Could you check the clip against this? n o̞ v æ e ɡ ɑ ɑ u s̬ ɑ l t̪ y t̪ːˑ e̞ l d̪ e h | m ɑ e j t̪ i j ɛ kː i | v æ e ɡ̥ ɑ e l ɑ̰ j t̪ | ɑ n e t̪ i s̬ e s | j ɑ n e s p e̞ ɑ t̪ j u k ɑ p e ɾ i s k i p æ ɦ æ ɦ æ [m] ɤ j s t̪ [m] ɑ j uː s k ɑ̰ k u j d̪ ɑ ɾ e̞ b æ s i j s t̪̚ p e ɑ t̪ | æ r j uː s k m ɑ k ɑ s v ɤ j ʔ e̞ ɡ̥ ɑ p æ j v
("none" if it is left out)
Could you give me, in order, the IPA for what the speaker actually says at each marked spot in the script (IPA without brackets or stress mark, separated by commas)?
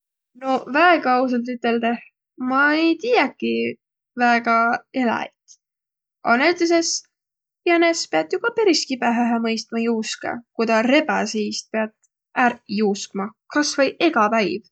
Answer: m, m